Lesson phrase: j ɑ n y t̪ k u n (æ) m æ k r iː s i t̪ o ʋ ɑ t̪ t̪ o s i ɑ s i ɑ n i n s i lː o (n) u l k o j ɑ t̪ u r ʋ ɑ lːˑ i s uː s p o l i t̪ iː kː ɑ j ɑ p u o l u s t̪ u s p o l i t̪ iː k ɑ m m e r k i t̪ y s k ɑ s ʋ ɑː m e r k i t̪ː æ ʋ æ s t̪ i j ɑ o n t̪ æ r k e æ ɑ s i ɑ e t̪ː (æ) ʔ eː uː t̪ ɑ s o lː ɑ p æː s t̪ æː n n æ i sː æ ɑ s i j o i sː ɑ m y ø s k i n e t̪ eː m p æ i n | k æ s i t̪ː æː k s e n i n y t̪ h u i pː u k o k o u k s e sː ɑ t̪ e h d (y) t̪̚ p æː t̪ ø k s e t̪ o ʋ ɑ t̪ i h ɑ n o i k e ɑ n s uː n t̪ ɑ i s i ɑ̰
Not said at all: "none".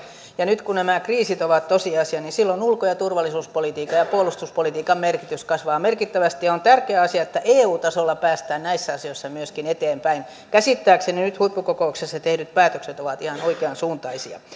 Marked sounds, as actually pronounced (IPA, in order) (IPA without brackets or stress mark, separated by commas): æ, n, æ, y